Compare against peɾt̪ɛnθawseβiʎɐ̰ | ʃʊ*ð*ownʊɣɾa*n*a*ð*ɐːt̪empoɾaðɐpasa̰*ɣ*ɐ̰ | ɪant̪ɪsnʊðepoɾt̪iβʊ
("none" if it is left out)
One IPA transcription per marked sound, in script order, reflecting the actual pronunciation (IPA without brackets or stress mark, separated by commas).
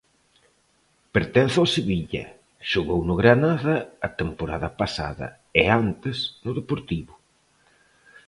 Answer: ɣ, n, ð, ð